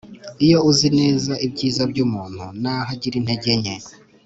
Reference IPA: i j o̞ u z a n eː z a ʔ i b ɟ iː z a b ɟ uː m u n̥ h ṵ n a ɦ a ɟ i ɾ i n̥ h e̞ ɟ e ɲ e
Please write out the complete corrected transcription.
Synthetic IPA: i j o̞ u z i n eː z a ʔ i b ɟ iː z a b ɟ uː m uː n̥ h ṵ n a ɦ a ɟ i ɾ i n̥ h e̞ ɟ e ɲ e